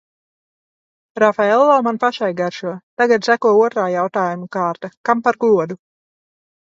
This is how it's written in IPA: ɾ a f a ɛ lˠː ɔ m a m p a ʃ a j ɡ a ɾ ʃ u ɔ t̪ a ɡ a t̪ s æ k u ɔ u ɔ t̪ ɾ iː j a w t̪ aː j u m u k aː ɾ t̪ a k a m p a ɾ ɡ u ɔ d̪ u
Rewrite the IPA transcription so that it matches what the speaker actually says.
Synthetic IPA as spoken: ɾ a f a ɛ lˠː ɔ m a n p a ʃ a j ɡ a ɾ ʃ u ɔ t̪ a ɡ a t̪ s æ k u ɔ u ɔ t̪ ɾ aː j a w t̪ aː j u m u k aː ɾ t̪ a k a m p a ɾ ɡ u ɔ d̪ u